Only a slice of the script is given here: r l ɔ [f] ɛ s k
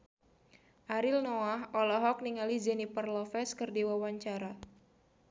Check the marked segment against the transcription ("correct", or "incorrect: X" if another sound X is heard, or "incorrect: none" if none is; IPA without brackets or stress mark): correct